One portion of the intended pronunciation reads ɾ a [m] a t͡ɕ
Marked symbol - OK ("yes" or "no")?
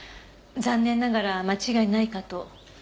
yes